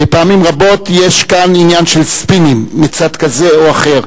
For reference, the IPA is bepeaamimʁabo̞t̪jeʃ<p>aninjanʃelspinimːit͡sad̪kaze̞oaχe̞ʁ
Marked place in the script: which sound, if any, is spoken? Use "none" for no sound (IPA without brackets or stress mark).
k